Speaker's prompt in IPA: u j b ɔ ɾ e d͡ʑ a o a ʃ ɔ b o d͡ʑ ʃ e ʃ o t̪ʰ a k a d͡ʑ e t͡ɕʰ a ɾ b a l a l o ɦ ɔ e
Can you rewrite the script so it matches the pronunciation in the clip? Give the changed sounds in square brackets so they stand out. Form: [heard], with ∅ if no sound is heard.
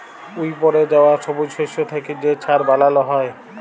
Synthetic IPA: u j [p] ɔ ɾ e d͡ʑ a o a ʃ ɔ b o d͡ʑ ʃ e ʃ o t̪ʰ [e] k [e] d͡ʑ e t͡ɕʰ a ɾ b a l a l o ɦ ɔ e